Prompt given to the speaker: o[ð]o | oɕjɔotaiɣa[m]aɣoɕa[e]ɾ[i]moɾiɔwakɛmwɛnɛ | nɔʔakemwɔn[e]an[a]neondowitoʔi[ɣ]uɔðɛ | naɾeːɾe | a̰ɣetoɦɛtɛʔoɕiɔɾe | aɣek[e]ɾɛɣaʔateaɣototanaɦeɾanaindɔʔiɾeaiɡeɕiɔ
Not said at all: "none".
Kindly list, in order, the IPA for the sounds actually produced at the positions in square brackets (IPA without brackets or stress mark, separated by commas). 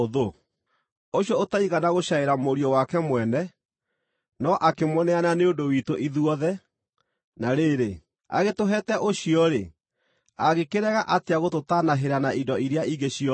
ð, n, e, a, ɛ, a, ð, e